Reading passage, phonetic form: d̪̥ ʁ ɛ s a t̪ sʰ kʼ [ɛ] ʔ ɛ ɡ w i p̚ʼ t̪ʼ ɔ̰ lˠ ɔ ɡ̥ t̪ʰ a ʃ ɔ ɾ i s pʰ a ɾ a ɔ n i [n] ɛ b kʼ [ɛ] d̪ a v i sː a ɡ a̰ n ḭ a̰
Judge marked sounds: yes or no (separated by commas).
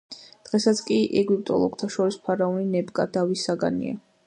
no, yes, no